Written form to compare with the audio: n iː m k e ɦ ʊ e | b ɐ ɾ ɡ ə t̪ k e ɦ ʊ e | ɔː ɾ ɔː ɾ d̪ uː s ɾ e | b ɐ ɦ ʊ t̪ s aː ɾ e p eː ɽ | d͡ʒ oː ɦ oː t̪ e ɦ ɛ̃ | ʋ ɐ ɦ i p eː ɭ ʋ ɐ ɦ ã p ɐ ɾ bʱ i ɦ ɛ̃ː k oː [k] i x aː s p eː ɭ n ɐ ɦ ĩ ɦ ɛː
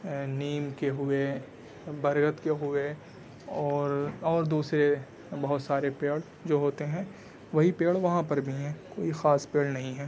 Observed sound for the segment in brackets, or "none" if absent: none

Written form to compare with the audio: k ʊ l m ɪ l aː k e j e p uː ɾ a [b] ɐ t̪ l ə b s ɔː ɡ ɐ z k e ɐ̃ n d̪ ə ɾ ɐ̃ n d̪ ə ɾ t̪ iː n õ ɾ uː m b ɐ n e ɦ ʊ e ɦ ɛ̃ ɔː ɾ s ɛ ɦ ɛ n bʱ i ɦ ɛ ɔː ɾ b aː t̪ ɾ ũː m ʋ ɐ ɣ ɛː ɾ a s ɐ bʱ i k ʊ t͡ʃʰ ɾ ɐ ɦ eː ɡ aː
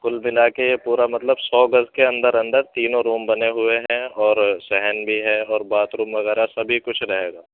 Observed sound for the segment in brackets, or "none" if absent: m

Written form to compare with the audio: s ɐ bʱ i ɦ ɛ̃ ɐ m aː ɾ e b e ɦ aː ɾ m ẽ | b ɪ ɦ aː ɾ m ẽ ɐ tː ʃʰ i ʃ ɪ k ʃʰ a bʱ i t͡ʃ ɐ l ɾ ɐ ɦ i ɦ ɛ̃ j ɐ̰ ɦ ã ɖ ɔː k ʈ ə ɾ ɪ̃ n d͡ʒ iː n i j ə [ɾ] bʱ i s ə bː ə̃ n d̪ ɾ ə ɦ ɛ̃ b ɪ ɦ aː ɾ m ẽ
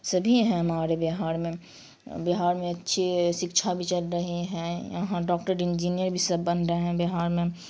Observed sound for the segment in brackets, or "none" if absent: ɾ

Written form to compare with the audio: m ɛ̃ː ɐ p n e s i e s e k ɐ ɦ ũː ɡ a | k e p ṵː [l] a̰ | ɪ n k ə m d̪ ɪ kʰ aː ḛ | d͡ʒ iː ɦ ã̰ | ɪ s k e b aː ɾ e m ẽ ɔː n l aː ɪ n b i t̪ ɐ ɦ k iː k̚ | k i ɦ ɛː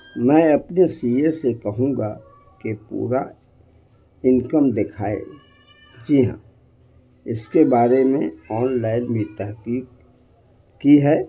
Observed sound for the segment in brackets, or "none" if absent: ɾ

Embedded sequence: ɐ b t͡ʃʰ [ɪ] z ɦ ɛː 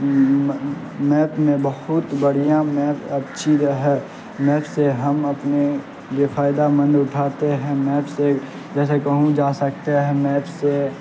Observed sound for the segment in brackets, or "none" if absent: i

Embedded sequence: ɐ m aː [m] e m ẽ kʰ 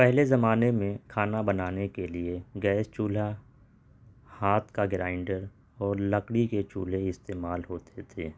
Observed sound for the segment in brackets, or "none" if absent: n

